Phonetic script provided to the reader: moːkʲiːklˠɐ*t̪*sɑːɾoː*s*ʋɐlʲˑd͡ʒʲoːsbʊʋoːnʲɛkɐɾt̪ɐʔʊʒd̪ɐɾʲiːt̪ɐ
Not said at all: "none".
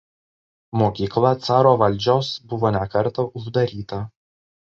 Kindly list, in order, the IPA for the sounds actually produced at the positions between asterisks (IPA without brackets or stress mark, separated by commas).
t̪, none